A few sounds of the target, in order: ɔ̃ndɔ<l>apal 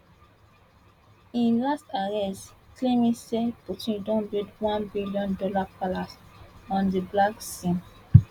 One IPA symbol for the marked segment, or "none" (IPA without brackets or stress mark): l